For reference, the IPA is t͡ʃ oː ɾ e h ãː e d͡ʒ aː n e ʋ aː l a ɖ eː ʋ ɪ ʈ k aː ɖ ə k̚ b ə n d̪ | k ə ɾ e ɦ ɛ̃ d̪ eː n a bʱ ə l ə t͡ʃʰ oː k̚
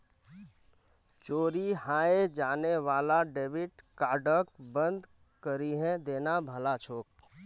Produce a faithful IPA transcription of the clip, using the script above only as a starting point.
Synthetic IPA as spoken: t͡ʃ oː ɾ i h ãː e d͡ʒ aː n e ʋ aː l a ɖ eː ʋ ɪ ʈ k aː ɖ ə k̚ b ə n d̪ | k ə ɾ i ɦ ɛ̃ d̪ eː n a bʱ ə l a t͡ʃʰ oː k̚